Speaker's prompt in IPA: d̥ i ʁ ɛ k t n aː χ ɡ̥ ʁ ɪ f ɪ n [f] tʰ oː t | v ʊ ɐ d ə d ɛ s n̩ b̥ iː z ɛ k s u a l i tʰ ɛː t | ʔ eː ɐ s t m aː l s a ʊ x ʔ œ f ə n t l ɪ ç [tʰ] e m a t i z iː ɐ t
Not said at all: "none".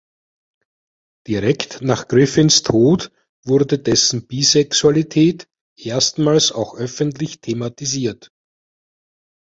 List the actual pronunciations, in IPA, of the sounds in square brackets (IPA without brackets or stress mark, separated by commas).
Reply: s, tʰ